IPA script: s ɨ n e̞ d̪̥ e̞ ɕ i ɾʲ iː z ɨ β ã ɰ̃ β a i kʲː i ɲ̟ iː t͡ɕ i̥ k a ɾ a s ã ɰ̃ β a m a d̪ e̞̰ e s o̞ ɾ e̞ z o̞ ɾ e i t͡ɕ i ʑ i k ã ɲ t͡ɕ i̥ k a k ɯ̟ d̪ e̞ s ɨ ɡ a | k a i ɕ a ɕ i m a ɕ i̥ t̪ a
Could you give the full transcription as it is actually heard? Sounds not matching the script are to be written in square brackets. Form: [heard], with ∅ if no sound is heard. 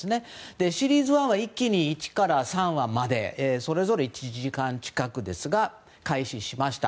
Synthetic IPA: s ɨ n e̞ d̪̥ e̞ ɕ i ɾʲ iː z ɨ β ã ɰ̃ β a i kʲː i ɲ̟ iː t͡ɕ i̥ k a ɾ a s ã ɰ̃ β a m a d̪ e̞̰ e s o̞ ɾ e̞ z o̞ ɾ e i t͡ɕ i ʑ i k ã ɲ t͡ɕ i̥ k a k ɯ̟ d̪ e̞ s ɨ ɡ a | k a i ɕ [i] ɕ i m a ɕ i̥ t̪ a